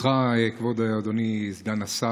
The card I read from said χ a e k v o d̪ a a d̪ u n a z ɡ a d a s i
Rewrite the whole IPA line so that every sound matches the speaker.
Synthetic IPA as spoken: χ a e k v o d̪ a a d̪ o n i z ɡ a n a s a